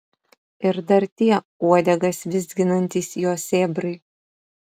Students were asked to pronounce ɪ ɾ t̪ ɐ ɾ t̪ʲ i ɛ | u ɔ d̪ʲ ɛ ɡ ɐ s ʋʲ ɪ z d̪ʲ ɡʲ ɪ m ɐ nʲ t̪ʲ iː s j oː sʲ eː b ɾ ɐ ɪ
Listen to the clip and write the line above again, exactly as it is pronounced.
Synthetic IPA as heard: ɪ ɾ d̪ ɐ ɾ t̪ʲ i ɛ | u ɔ d̪ʲ ɛ ɡ ɐ s ʋʲ ɪ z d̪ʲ ɡʲ ɪ n ɐ nʲ t̪ʲ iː s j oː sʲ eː b ɾ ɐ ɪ